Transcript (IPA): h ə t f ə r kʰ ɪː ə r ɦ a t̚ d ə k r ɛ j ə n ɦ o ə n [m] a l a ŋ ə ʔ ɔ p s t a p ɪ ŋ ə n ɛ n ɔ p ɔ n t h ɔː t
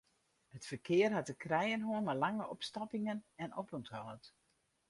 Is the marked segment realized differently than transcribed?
no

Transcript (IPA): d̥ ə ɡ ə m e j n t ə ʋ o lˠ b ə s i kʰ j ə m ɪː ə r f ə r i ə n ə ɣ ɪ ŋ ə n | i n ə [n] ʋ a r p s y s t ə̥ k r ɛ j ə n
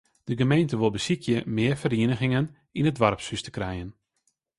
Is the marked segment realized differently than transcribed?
yes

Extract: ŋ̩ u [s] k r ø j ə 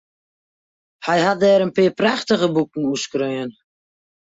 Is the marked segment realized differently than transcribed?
no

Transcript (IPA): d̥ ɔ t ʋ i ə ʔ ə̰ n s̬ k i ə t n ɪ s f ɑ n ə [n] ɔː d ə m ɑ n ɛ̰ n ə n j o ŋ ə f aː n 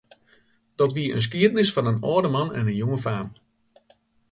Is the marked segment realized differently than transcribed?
no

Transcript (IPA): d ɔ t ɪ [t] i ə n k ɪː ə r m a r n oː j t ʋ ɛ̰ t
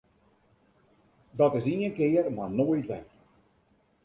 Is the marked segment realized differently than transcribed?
yes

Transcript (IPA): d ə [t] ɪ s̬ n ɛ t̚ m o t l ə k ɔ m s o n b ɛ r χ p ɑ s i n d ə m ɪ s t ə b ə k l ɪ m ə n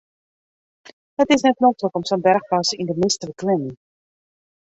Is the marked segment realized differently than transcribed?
no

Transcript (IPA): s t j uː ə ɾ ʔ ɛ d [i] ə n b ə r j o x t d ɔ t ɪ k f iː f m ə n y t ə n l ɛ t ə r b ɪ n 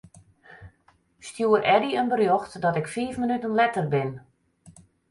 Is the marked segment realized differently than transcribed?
no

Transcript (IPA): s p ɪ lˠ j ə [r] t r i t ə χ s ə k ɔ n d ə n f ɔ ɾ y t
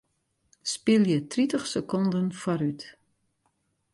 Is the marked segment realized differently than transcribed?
yes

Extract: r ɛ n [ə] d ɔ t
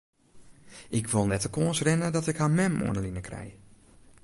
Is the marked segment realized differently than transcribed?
no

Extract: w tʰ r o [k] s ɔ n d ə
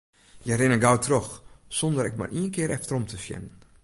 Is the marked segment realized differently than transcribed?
yes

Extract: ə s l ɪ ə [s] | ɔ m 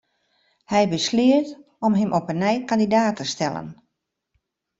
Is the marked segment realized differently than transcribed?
yes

